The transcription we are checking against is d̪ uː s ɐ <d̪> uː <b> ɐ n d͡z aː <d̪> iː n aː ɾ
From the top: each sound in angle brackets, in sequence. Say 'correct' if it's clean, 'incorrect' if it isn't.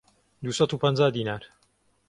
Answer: incorrect: t̪, incorrect: p, correct

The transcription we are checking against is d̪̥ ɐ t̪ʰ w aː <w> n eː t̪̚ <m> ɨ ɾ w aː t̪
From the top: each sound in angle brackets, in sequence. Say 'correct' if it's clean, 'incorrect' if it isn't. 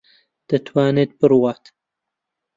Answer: incorrect: none, incorrect: b

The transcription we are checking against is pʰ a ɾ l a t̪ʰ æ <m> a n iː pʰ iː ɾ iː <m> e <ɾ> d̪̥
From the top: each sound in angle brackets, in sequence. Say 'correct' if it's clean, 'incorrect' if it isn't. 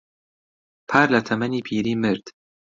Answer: correct, correct, correct

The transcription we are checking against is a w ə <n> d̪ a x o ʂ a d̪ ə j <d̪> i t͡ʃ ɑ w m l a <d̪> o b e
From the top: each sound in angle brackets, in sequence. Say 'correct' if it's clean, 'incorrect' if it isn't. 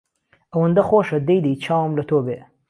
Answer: correct, correct, incorrect: t̪

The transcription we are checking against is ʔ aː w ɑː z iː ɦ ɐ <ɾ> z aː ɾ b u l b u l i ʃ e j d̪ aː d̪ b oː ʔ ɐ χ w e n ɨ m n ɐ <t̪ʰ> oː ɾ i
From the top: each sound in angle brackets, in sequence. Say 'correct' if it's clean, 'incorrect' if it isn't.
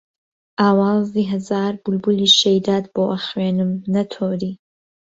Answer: incorrect: none, correct

